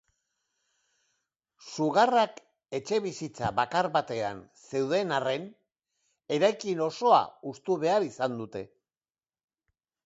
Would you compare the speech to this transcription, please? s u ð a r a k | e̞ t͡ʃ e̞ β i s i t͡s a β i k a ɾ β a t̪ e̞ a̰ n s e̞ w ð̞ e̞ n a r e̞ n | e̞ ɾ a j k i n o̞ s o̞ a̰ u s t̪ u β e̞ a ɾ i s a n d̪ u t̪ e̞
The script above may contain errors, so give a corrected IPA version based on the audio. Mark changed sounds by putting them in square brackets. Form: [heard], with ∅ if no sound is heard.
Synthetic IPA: s u [ɣ] a r a k | e̞ t͡ʃ e̞ β i s i t͡s a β [a] k a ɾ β a t̪ e̞ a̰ n s e̞ w ð̞ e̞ n a r e̞ n | e̞ ɾ a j k i n o̞ s o̞ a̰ u s t̪ u β e̞ a ɾ i s a n d̪ u t̪ e̞